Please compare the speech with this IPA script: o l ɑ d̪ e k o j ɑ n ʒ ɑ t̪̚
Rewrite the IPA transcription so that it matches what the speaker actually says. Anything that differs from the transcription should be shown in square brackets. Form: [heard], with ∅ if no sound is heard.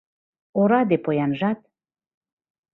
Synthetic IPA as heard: o [ɾ] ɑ d̪ e [p] o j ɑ n ʒ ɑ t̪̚